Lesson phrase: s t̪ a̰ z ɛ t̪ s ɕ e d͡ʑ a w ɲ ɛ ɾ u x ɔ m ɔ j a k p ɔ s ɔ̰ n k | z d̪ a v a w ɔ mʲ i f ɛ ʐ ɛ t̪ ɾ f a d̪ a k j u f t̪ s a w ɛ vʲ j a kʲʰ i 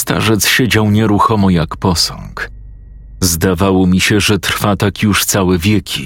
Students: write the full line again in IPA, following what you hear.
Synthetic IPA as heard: s t̪ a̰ ʐ ɛ t̪ s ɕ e d͡ʑ a w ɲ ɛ ɾ u x ɔ m ɔ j a k p ɔ s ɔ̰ ŋ k | z d̪ a v a w ɔ mʲ i ɕ ɛ ʐ ɛ t̪ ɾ f a t̪ a k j u ʂ t̪ s a w ɛ vʲ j ɛ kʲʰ i